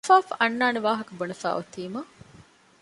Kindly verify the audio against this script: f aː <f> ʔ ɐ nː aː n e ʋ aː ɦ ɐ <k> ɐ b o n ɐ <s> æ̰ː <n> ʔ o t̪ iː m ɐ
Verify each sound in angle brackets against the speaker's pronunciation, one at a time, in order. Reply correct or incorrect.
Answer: correct, correct, incorrect: f, incorrect: none

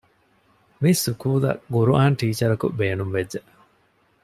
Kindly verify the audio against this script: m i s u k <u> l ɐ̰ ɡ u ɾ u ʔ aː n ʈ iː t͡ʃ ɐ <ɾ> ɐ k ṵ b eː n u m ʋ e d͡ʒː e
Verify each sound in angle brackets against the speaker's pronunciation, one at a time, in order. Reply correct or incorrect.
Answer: incorrect: uː, correct

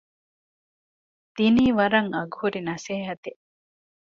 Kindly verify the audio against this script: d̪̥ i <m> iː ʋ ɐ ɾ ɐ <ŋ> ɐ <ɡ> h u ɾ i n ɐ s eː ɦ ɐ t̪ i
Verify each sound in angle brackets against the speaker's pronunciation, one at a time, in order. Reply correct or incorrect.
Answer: incorrect: n, correct, correct

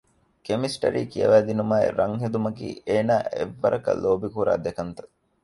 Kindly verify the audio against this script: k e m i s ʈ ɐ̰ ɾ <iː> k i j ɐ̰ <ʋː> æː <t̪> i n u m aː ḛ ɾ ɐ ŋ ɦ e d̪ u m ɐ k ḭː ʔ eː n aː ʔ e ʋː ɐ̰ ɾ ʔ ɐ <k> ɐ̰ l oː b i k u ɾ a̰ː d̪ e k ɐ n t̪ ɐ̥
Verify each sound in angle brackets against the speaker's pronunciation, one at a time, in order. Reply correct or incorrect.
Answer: correct, incorrect: ʋ, incorrect: d̪, correct

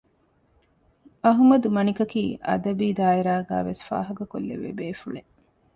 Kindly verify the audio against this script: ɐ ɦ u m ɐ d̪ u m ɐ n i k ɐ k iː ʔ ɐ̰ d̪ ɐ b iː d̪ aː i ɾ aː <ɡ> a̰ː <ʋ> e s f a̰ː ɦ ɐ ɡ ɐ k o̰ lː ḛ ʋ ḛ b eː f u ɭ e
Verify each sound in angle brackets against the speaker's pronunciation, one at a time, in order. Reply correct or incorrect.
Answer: correct, correct

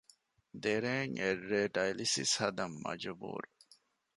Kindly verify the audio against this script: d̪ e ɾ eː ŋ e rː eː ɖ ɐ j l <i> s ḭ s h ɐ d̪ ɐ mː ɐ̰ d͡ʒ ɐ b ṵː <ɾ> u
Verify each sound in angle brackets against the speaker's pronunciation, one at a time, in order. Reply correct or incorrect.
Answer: correct, correct

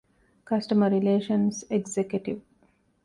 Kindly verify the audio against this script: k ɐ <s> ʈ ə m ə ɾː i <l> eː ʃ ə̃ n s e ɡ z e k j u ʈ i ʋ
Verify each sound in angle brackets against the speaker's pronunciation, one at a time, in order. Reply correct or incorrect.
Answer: correct, correct

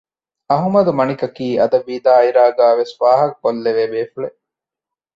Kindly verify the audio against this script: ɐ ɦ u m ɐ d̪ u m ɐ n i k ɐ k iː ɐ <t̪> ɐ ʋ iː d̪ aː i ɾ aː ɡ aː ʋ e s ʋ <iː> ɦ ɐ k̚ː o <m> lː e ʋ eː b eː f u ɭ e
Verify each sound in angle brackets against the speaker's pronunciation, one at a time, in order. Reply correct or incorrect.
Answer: incorrect: d̪, incorrect: aː, incorrect: none

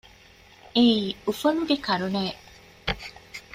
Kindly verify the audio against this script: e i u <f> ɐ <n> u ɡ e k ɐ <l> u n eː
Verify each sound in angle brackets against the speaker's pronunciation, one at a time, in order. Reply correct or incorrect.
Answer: correct, correct, incorrect: ɾ

